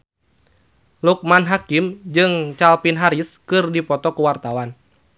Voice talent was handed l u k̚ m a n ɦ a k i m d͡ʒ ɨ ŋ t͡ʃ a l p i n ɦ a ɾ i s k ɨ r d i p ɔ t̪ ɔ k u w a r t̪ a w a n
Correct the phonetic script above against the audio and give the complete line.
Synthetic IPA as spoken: l u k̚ m a n ɦ a k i m d͡ʒ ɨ ŋ t͡ʃ a l p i n ɦ a ɾ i s k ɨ r d i p ɔ t̪ ɔ k u w a r t̪ a w a n

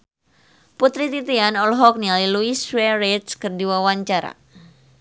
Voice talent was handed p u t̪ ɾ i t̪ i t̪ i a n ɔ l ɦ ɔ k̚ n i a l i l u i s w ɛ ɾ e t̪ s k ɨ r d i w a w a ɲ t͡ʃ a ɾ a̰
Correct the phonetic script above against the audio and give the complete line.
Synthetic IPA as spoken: p u t̪ ɾ i t̪ i t̪ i a n ɔ l ɦ ɔ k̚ n i a l i l u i s w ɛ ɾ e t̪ s k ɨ r d i w a w a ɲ t͡ʃ a ɾ a̰

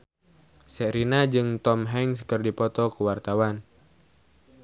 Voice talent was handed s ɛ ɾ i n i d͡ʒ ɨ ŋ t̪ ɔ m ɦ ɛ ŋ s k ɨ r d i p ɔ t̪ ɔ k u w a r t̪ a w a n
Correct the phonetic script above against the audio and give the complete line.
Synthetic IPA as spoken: s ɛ ɾ i n a d͡ʒ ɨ ŋ t̪ ɔ m ɦ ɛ ŋ s k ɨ r d i p ɔ t̪ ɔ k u w a r t̪ a w a n

